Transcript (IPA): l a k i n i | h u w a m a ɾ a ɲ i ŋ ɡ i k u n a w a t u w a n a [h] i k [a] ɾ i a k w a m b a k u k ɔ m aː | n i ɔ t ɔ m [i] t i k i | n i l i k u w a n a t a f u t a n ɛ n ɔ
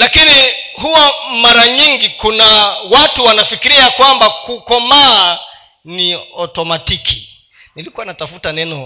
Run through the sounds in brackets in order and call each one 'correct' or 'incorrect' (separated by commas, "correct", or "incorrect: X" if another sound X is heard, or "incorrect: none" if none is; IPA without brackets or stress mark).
incorrect: f, incorrect: i, incorrect: a